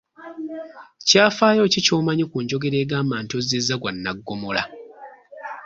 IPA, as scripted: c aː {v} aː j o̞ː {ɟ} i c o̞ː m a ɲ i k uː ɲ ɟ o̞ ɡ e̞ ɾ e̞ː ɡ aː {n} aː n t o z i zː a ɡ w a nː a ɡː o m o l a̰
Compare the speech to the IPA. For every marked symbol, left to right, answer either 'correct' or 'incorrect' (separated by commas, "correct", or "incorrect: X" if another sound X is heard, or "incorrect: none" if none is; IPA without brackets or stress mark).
incorrect: f, incorrect: c, incorrect: m